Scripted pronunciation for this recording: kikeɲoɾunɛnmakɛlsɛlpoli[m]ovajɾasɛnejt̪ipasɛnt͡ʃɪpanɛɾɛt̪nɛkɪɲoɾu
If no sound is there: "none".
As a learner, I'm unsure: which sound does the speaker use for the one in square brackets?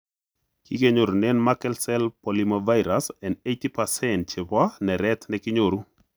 m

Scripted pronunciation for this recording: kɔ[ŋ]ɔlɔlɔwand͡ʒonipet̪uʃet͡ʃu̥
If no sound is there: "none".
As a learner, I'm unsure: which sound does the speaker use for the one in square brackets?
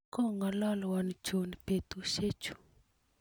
ŋ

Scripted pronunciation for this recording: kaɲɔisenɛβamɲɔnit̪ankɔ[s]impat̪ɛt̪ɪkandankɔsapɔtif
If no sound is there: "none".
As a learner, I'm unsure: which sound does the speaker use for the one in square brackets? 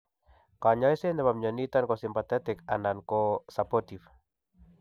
s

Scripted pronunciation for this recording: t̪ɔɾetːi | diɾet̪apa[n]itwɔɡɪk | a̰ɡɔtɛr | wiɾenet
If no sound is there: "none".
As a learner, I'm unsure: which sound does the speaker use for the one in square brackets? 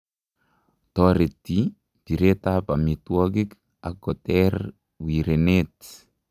m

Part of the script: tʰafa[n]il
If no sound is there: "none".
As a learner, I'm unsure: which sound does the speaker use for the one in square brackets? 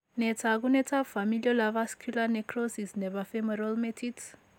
m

